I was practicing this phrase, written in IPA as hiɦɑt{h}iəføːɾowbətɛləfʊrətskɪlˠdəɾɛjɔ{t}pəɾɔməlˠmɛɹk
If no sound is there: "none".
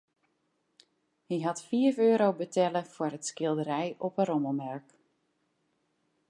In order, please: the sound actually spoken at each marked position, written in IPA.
f, none

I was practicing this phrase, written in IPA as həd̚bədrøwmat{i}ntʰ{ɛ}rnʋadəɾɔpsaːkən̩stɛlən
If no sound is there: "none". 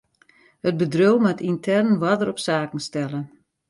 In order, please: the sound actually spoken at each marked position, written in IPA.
i, ɛ

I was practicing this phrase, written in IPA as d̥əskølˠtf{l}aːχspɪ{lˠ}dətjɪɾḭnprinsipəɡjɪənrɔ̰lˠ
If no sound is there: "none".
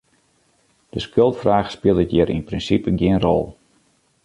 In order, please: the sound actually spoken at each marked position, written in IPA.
r, lˠ

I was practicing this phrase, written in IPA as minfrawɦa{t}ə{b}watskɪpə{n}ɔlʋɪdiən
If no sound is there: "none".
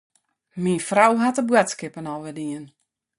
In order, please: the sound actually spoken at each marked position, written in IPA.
t, b, n

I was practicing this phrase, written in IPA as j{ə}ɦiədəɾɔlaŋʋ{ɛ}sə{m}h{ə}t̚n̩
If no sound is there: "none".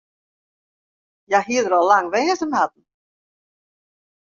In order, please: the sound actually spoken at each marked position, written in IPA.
a, ɛː, m, a

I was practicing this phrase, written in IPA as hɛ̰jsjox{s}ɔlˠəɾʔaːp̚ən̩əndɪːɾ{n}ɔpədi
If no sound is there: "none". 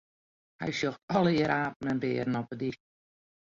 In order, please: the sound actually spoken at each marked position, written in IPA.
t, n

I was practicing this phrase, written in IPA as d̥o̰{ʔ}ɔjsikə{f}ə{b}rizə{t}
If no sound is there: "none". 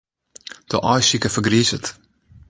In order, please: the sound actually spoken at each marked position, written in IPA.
ʔ, f, ɡ, t

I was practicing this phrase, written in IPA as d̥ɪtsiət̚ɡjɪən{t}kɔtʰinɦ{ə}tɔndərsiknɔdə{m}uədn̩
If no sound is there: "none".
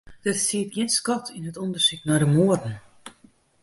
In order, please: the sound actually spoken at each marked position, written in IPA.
s, ə, m

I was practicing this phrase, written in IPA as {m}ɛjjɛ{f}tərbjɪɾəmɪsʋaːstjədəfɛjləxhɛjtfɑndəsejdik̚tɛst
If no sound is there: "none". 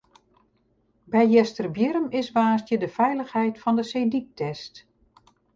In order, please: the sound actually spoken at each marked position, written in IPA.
b, s

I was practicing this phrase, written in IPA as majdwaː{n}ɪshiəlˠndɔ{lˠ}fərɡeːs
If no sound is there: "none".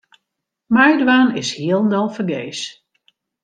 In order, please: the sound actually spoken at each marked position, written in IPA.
n, lˠ

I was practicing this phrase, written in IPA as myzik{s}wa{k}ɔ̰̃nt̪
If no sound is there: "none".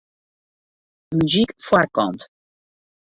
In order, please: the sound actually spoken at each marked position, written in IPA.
f, k

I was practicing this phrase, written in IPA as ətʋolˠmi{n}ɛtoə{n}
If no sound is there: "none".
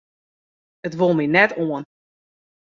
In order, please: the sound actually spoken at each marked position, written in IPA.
n, n

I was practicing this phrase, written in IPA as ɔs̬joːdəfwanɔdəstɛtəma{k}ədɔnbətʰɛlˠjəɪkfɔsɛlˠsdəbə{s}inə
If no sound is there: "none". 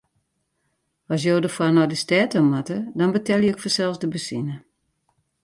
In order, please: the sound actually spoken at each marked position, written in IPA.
t, s

